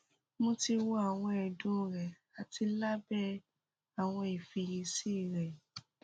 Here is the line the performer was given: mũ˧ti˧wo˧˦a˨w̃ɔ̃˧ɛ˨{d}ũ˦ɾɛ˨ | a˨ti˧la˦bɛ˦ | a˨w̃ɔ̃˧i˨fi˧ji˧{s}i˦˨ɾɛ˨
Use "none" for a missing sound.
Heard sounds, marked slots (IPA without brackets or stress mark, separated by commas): d, s